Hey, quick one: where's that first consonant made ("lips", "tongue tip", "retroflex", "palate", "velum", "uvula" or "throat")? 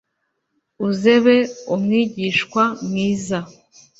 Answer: tongue tip